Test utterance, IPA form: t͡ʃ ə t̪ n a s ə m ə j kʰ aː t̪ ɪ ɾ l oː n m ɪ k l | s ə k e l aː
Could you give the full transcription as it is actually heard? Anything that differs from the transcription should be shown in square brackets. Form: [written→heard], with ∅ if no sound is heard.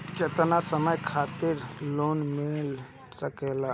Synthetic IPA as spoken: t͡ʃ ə t̪ n a s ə m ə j kʰ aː t̪ ɪ ɾ l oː n m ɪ [k→∅] l | s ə k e l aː